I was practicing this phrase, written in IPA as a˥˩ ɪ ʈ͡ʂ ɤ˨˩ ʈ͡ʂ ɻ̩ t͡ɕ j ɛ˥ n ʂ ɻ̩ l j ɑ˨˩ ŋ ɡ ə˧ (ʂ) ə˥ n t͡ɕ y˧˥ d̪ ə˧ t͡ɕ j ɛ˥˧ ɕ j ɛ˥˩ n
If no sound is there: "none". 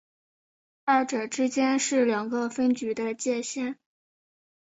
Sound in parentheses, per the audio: f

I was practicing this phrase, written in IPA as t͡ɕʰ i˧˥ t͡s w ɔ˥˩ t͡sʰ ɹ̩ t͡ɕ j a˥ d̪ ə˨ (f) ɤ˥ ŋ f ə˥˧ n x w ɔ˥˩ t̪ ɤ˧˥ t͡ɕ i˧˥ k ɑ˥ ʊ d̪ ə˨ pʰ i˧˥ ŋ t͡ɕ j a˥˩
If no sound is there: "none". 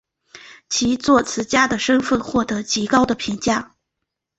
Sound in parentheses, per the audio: ʂ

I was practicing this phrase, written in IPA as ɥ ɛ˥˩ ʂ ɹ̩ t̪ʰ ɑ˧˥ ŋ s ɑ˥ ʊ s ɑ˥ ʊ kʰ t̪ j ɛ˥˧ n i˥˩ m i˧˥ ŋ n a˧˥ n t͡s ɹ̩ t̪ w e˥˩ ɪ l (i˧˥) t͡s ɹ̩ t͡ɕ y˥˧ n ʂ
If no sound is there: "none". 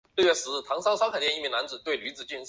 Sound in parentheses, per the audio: y˧˥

